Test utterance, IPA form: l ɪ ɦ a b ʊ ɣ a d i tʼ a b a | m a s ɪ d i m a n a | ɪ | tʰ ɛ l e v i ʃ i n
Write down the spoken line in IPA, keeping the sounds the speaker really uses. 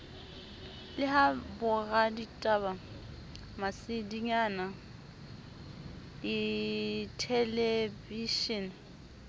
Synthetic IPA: l ɪ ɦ a b ʊ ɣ a d i tʼ a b a | m a s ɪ d i ɲ a n a | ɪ | tʰ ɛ l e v i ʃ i n